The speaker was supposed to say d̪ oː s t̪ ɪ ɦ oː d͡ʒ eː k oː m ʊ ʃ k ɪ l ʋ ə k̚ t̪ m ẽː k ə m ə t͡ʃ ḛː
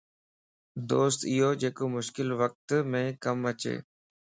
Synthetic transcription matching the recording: d̪ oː s t̪ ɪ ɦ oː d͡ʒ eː k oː m ʊ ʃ k ɪ l ʋ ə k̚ t̪ m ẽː k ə m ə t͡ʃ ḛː